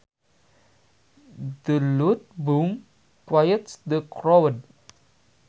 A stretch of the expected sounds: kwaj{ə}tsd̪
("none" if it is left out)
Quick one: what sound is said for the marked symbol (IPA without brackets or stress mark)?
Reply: ə